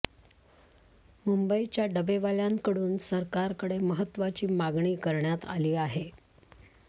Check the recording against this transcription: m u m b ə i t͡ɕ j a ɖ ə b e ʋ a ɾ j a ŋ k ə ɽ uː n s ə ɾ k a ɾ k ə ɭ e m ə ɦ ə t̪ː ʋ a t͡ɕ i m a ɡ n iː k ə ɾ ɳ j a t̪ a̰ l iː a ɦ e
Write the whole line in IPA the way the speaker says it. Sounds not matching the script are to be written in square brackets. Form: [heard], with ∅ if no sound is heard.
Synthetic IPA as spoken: m u m b ə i t͡ɕ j a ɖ ə b e ʋ a [l] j a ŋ k ə ɽ uː n s ə ɾ k a ɾ k ə [ɽ] e m ə ɦ ə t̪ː ʋ a t͡ɕ [iː] m a ɡ [ɳ] iː k ə ɾ ɳ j a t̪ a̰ l iː a ɦ e